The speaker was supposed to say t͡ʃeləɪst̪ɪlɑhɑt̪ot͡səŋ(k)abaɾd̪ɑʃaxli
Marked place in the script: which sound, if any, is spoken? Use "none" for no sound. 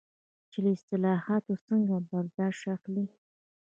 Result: ɡ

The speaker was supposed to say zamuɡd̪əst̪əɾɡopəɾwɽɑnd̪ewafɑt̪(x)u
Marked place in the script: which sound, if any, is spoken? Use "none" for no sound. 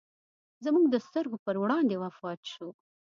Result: ʃ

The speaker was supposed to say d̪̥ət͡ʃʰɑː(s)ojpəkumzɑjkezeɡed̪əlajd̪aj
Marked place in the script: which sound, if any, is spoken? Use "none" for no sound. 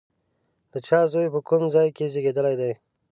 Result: z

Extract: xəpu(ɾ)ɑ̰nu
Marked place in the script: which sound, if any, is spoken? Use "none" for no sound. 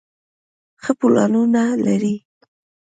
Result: l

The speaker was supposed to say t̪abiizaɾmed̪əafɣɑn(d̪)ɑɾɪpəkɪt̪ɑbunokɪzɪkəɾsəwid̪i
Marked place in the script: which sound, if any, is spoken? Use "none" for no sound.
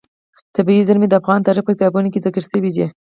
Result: t̪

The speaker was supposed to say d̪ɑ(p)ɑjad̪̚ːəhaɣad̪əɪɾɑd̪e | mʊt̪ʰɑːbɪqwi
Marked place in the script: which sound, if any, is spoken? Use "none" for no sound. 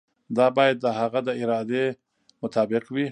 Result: b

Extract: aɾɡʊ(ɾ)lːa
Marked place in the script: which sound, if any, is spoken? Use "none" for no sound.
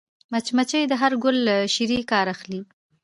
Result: none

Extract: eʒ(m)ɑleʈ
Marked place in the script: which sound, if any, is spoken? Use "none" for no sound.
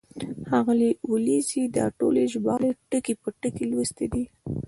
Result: b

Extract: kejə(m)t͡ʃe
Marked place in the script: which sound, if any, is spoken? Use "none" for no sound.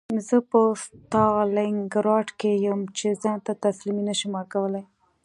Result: m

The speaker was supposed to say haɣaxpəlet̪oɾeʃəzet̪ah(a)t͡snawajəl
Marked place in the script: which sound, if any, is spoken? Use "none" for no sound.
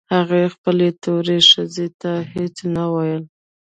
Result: e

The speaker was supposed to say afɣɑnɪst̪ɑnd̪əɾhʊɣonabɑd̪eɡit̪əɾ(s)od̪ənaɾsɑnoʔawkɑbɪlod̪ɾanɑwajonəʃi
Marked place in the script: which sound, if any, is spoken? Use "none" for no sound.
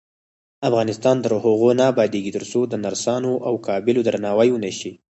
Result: s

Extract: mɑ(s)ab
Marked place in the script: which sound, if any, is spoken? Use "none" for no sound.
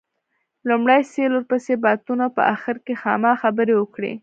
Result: x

